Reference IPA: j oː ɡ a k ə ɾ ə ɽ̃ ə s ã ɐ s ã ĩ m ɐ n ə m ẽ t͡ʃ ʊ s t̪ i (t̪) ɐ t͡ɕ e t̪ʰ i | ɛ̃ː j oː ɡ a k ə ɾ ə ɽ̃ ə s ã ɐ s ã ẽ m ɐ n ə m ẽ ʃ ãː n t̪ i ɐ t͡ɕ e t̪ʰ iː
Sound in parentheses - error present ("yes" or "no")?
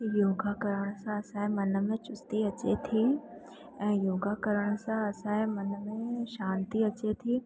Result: yes